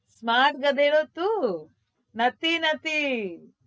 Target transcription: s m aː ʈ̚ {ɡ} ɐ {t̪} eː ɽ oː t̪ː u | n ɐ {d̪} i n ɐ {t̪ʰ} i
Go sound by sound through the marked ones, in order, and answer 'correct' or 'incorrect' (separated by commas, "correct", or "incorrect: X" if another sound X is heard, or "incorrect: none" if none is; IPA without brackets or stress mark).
correct, incorrect: d̪, incorrect: t̪, incorrect: t̪